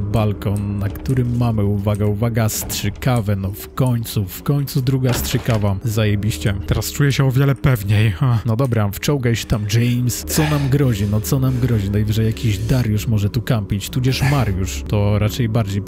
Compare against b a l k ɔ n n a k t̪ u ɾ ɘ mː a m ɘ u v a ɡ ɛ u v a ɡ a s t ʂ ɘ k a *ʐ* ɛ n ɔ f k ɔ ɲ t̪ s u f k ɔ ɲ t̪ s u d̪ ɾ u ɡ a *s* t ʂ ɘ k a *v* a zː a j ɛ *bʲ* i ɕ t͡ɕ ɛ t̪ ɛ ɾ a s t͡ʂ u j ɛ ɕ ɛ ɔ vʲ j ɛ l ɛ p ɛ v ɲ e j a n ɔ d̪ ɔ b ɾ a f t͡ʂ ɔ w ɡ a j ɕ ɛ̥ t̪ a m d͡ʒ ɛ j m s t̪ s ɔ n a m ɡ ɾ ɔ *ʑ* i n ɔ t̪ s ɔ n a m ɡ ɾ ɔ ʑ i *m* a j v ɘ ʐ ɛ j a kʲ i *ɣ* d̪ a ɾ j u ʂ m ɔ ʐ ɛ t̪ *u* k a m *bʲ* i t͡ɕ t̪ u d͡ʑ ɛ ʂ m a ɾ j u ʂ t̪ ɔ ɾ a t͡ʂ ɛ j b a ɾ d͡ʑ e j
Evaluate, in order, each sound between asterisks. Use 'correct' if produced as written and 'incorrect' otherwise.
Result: incorrect, correct, correct, correct, correct, incorrect, incorrect, correct, incorrect

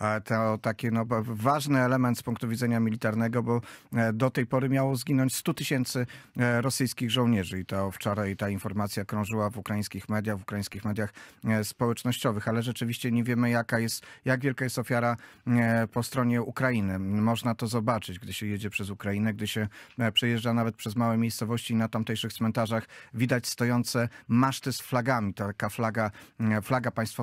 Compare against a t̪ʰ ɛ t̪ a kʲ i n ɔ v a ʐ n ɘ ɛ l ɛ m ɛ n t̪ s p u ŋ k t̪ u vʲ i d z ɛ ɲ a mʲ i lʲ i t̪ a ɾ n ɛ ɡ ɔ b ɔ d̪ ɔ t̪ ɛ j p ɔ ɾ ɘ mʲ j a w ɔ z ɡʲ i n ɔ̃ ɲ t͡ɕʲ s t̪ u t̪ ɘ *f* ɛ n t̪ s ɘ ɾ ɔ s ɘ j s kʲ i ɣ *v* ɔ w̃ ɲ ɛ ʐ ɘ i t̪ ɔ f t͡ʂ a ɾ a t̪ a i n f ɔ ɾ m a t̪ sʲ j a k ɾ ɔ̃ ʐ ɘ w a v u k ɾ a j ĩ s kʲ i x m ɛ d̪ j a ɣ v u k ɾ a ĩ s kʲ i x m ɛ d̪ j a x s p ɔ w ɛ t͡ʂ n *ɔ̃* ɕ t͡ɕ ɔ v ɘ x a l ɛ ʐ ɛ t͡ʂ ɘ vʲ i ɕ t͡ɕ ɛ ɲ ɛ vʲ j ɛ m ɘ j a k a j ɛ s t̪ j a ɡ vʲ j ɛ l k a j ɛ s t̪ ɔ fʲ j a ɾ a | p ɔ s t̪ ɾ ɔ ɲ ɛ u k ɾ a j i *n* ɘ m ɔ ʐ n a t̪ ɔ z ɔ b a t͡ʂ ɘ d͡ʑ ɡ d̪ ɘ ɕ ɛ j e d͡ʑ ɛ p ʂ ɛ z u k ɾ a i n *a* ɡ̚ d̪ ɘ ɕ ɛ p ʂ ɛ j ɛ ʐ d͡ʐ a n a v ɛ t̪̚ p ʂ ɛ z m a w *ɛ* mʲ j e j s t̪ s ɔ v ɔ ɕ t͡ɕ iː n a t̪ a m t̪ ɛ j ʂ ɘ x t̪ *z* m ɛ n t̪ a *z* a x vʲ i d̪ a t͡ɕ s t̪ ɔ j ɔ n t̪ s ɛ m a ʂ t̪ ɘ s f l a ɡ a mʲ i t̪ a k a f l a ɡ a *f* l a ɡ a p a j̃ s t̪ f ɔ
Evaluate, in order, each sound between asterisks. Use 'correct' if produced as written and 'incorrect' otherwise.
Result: incorrect, incorrect, incorrect, correct, incorrect, correct, incorrect, incorrect, correct

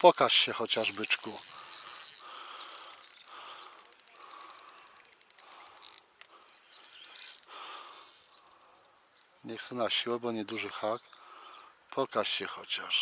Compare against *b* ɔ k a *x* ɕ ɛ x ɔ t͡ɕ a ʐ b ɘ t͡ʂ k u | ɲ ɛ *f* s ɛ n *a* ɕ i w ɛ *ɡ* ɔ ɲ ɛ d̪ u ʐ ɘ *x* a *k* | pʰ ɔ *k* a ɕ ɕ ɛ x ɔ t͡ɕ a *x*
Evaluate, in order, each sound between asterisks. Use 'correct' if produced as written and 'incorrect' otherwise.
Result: incorrect, incorrect, incorrect, correct, incorrect, correct, correct, correct, incorrect

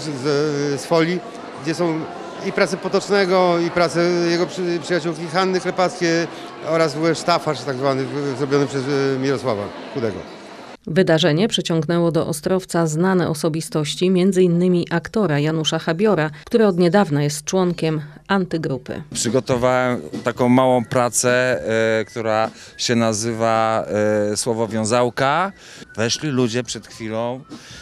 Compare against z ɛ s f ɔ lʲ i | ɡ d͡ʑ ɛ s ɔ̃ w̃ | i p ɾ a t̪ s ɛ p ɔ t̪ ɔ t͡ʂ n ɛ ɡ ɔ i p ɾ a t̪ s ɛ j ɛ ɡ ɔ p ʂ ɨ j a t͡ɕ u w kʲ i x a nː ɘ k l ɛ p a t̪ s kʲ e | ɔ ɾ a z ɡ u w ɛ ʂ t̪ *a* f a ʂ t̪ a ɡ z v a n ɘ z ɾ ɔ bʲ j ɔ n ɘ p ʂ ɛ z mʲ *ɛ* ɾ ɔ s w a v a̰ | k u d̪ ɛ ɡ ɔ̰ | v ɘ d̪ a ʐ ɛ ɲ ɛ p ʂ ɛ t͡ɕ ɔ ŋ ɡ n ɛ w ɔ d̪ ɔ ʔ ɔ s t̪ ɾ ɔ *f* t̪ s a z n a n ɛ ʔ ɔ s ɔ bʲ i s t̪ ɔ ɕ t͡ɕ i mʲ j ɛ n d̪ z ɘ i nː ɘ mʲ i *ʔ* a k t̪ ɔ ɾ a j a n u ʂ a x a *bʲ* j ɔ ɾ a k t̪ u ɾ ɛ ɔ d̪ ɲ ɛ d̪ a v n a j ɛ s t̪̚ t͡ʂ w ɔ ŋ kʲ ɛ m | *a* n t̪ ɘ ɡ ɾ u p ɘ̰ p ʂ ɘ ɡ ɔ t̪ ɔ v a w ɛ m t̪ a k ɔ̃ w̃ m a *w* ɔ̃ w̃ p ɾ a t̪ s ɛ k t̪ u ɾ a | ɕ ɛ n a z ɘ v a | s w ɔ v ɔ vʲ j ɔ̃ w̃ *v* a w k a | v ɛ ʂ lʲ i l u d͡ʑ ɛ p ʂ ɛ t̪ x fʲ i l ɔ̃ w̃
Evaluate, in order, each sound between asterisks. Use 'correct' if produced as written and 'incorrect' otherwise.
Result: correct, incorrect, correct, correct, correct, correct, correct, incorrect

